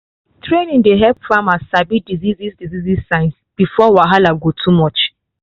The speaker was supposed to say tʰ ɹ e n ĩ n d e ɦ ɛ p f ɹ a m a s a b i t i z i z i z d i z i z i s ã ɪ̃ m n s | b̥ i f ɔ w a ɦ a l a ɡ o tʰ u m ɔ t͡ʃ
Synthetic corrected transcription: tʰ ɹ e n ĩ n d e ɦ ɛ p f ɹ a m a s a b i d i z i z i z d i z i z i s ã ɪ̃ n s | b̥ i f ɔ w a ɦ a l a ɡ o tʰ u m ɔ t͡ʃ